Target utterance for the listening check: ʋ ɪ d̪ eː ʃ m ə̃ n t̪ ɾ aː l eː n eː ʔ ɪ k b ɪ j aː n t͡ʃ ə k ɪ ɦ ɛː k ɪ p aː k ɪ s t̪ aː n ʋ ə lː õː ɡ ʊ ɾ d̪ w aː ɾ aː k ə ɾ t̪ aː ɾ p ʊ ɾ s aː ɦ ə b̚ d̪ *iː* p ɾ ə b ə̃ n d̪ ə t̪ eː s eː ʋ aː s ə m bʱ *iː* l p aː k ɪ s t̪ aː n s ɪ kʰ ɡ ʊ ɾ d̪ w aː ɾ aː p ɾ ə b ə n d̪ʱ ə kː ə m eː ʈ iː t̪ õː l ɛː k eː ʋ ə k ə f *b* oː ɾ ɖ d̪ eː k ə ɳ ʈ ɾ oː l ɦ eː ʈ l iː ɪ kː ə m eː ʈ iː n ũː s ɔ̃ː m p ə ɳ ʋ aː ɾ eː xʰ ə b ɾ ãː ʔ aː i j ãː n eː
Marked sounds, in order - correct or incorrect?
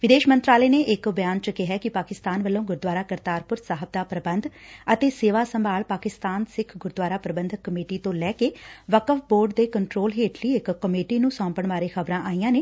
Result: incorrect: aː, incorrect: aː, correct

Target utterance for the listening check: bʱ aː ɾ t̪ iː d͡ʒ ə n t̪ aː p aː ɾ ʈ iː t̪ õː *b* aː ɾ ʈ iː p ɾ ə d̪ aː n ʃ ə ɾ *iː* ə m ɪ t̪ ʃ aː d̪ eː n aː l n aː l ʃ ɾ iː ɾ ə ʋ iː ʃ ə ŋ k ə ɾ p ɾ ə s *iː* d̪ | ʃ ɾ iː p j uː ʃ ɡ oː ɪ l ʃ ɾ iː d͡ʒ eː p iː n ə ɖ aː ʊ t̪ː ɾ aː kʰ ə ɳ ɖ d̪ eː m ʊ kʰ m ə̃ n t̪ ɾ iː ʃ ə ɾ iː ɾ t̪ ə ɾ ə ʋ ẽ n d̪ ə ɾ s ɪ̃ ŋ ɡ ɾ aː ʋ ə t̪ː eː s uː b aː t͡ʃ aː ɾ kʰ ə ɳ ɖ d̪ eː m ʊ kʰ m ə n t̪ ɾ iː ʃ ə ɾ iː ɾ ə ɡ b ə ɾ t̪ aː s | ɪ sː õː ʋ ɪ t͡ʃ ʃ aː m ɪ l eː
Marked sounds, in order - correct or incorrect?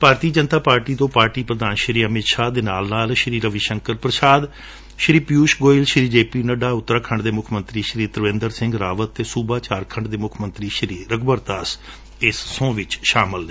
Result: incorrect: p, correct, incorrect: aː

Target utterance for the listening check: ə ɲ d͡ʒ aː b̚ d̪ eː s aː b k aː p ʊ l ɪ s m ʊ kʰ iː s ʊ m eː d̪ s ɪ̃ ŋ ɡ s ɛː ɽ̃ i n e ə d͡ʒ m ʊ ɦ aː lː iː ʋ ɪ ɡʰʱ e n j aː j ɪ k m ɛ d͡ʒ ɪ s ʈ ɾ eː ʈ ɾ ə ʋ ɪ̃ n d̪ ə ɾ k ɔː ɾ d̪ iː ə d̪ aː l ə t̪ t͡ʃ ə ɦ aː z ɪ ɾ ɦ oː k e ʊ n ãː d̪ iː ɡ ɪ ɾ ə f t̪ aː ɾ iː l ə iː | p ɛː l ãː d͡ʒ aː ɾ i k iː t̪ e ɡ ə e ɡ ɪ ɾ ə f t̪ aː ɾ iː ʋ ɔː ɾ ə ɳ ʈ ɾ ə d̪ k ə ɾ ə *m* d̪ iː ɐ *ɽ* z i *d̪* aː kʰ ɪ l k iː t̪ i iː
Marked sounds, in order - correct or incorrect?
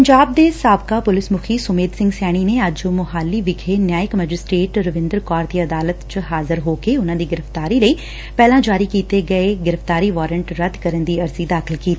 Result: incorrect: n, incorrect: ɾ, correct

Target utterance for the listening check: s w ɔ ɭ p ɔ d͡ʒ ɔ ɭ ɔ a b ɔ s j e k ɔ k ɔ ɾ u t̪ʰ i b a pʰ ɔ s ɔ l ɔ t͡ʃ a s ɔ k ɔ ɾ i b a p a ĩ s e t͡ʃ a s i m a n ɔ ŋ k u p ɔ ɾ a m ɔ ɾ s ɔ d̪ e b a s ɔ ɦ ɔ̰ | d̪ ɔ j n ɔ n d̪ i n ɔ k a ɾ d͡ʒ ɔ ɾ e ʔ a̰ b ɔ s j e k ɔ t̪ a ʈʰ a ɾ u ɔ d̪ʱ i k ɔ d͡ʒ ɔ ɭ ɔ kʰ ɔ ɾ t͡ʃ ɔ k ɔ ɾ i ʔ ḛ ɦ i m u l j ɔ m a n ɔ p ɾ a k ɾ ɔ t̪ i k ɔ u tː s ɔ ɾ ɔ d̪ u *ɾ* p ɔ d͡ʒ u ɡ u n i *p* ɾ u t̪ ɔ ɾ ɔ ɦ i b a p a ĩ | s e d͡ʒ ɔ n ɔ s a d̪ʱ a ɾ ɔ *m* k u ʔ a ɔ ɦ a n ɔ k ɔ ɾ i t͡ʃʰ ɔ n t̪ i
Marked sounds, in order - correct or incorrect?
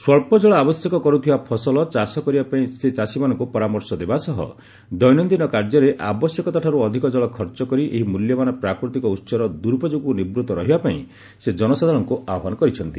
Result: correct, incorrect: b, incorrect: ŋ

